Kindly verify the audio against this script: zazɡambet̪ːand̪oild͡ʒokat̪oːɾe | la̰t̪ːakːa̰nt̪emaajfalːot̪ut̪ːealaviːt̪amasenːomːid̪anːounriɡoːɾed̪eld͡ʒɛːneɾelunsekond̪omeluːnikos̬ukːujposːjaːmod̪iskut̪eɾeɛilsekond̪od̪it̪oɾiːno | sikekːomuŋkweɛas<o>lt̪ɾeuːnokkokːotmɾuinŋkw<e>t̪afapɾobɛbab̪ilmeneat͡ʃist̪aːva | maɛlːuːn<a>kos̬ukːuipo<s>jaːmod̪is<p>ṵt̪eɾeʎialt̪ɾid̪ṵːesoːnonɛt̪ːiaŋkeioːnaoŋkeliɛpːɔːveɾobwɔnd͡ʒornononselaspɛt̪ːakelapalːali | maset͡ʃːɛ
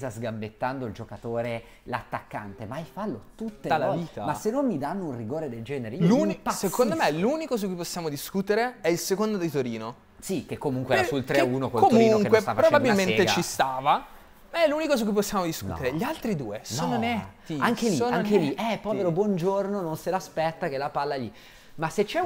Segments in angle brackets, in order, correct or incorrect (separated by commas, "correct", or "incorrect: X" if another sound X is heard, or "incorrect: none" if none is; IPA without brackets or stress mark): incorrect: u, correct, incorrect: i, incorrect: sː, incorrect: k